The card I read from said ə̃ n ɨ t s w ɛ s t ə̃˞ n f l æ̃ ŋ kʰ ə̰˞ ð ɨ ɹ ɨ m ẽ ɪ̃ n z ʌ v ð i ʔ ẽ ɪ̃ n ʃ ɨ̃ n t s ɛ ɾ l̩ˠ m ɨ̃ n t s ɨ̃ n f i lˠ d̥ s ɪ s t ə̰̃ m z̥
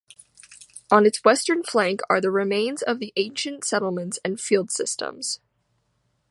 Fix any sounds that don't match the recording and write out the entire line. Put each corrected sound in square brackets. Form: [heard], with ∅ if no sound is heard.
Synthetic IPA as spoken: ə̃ n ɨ t s w ɛ s t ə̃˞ n f l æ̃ ŋ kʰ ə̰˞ ð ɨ ɹ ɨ m ẽ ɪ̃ n z ʌ v ð i ʔ ẽ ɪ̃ n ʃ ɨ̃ n t s ɛ ɾ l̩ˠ m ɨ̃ n t s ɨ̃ n f i lˠ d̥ s ɪ s t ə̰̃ m z̥